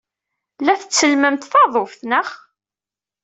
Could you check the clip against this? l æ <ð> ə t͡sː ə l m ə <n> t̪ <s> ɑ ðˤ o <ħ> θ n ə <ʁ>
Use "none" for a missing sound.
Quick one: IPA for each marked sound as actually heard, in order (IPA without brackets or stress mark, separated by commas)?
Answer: θ, m, θ, f, χ